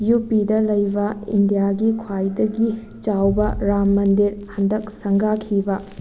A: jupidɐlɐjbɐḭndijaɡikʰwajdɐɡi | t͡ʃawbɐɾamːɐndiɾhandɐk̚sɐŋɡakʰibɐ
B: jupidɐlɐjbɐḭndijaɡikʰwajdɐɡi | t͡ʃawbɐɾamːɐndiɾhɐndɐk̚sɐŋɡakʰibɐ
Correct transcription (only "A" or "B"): B